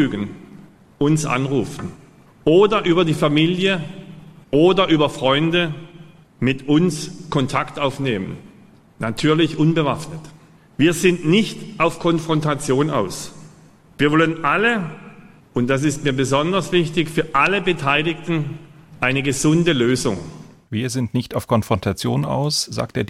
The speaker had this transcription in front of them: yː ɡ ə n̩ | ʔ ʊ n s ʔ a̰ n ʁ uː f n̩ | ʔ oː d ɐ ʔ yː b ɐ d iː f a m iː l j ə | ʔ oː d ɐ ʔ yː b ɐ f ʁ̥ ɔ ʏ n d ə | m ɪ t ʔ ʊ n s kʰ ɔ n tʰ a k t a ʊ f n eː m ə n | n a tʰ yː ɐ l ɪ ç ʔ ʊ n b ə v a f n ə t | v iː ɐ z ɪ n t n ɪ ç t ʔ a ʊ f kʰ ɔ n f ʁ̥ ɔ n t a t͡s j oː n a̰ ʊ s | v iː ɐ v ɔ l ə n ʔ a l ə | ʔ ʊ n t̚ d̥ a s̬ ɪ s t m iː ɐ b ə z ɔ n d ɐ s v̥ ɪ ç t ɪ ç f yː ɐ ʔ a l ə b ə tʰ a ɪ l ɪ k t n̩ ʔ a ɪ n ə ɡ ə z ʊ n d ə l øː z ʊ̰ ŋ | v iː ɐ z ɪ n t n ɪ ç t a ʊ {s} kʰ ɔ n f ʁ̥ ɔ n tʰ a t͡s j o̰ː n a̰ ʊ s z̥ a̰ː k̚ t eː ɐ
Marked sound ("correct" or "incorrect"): incorrect